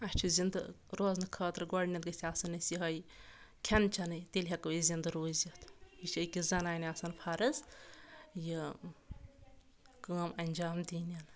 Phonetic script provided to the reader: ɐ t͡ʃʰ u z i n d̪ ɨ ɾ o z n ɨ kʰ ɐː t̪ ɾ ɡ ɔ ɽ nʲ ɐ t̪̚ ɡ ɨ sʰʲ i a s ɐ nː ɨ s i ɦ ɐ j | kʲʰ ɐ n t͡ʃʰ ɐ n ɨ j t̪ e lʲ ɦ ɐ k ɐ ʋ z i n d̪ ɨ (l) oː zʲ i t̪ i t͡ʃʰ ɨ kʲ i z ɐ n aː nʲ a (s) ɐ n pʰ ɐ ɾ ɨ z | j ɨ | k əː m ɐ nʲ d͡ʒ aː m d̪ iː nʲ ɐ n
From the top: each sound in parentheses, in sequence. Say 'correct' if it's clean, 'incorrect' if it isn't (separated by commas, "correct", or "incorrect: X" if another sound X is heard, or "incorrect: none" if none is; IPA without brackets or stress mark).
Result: incorrect: ɾ, correct